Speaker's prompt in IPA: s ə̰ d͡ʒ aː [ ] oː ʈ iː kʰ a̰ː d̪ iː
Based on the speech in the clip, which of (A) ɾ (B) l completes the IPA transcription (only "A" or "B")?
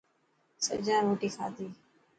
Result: A